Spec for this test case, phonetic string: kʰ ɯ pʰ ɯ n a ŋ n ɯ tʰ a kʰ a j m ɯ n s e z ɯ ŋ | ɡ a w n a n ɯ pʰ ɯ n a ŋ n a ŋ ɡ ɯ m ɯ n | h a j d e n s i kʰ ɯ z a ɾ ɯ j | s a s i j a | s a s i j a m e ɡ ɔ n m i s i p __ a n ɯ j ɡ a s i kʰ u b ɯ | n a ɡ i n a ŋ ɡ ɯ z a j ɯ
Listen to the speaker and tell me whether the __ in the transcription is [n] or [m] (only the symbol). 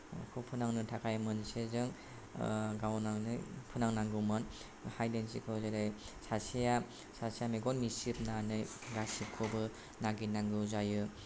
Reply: n